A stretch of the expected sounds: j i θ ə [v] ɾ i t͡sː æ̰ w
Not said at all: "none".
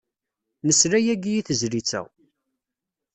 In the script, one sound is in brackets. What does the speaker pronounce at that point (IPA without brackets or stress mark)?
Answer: z